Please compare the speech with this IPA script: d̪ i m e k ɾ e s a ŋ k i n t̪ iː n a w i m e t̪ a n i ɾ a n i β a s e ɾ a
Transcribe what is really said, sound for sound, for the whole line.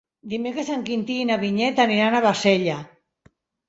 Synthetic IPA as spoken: d̪ i m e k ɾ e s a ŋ k i n t̪ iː n a β i ɲ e t̪ a n i ɾ a n a β a s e ʎ a